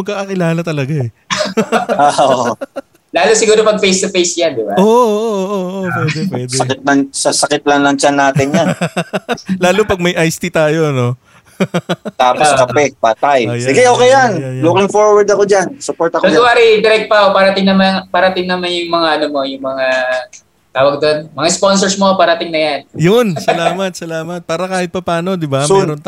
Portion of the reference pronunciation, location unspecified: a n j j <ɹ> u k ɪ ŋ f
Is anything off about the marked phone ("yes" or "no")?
yes